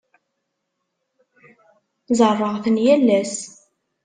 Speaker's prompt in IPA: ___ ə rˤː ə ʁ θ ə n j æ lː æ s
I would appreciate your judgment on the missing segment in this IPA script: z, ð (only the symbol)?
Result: z